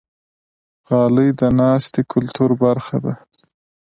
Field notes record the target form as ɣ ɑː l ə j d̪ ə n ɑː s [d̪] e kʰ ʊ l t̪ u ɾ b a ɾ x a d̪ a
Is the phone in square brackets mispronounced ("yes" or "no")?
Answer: yes